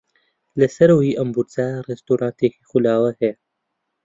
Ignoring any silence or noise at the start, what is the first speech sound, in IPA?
l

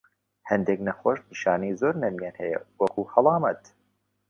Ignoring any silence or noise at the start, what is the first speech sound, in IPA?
h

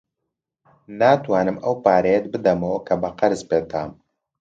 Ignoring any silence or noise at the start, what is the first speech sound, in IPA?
n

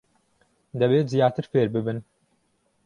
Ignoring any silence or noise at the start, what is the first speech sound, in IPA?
d̪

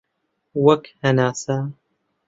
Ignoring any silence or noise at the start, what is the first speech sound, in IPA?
w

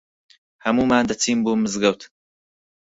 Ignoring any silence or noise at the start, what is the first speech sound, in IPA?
h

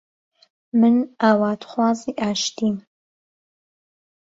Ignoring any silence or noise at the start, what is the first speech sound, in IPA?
m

